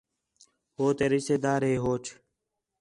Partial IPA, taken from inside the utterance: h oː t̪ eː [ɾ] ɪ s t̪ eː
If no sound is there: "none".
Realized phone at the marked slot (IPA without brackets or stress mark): ɾ